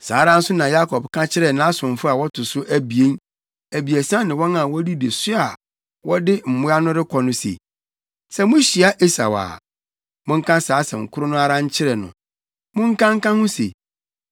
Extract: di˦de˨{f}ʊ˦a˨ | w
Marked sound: incorrect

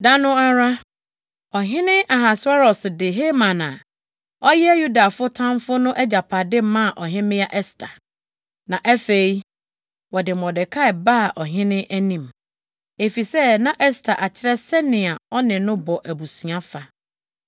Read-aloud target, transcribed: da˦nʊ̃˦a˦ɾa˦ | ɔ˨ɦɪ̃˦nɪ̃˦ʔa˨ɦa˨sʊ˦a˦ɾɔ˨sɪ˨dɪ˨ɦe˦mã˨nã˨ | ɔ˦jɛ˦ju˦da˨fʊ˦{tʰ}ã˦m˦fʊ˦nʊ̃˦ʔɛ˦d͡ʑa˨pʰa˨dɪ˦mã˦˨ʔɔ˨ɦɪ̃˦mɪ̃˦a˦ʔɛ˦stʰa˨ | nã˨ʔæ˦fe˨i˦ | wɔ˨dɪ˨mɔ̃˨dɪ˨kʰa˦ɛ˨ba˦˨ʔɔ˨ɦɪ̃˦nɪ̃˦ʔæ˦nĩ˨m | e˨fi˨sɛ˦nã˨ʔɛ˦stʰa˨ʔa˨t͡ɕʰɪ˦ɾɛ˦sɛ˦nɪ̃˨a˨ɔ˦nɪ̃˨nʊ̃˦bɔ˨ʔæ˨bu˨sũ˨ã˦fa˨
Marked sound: correct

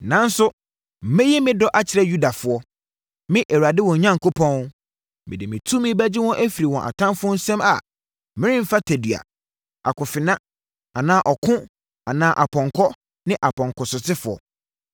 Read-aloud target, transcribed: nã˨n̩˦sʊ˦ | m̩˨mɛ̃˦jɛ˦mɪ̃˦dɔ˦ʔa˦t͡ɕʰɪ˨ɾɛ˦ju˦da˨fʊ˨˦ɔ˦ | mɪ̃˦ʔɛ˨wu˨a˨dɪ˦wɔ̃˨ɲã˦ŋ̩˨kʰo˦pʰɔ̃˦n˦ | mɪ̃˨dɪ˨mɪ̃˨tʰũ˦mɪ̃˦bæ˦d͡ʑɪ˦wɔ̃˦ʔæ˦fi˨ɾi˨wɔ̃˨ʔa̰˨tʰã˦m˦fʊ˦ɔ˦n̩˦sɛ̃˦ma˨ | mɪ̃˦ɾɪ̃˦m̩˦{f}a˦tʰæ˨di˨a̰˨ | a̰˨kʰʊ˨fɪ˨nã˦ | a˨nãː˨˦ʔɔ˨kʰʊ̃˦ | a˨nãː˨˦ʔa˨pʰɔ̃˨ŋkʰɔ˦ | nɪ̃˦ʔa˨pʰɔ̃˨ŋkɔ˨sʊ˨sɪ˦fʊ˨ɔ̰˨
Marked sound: correct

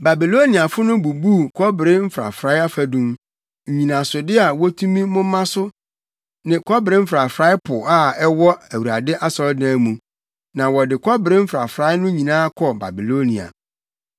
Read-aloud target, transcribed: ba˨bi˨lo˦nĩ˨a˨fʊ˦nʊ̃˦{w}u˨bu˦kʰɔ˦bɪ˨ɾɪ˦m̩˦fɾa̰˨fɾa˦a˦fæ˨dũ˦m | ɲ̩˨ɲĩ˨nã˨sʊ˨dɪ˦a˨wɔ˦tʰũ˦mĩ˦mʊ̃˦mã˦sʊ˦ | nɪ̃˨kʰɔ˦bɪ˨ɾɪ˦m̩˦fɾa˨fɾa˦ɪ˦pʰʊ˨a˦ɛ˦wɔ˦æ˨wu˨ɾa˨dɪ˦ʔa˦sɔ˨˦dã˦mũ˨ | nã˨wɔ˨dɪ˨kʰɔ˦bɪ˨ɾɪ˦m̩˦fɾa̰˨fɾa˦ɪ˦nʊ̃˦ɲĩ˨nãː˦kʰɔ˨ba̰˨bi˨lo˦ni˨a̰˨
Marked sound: incorrect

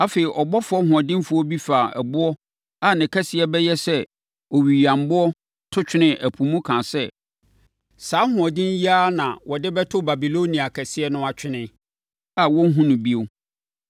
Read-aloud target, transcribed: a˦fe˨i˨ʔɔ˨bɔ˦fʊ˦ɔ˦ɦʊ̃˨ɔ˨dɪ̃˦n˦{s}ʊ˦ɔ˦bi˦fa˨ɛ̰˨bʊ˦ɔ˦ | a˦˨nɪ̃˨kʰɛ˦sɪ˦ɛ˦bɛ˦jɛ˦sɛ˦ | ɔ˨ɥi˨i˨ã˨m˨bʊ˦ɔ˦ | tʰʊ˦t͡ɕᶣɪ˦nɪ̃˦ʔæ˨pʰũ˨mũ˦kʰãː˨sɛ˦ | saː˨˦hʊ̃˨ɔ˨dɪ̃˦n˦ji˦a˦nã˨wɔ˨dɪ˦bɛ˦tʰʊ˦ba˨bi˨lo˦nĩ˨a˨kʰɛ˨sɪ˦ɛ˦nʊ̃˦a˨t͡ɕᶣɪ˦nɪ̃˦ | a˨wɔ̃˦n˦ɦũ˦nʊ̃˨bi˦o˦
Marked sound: incorrect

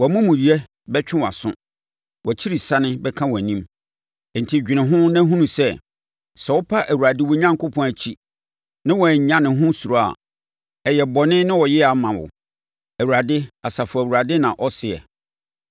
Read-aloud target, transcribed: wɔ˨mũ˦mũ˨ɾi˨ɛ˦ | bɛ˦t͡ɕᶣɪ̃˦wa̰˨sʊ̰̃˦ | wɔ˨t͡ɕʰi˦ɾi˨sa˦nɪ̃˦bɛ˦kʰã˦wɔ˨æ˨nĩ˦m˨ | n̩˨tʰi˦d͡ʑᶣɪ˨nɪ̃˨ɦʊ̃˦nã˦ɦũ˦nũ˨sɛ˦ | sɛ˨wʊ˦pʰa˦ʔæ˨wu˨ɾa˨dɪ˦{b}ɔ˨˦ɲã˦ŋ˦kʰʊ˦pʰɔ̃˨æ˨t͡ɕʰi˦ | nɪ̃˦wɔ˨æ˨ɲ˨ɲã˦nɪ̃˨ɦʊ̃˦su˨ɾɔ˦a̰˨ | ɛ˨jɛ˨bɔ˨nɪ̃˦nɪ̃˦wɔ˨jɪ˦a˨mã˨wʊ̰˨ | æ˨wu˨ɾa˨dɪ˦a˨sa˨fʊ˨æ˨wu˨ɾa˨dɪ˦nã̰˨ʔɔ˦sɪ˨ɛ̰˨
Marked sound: incorrect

